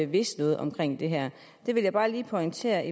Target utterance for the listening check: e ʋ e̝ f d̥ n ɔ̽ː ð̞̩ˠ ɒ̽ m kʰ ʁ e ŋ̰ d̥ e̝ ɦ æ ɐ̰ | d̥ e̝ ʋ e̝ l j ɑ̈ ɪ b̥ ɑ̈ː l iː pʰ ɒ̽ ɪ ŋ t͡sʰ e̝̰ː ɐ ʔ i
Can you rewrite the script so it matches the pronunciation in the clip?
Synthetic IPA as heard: e ʋ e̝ s d̥ n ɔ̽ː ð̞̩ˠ ɒ̽ m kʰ ʁ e ŋ̰ d̥ e̝ ɦ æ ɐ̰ | d̥ e̝ ʋ e̝ l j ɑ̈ ɪ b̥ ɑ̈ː l iː pʰ ɒ̽ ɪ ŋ t͡sʰ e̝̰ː ɐ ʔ i